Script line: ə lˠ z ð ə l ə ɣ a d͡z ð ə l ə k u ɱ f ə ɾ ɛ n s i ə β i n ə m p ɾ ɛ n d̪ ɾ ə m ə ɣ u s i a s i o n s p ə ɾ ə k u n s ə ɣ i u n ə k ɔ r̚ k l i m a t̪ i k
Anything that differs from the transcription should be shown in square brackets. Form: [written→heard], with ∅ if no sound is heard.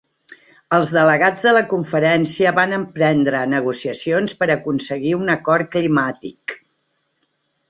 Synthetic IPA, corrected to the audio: ə lˠ z ð ə l ə ɣ a d͡z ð ə l ə k u ɱ f ə ɾ ɛ n s i ə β [i→a] n ə m p ɾ ɛ n d̪ ɾ ə [m→n] ə ɣ u s i [a→ə] s i o n s p ə ɾ ə k u n s ə ɣ i u n ə k ɔ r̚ k l i m a t̪ i k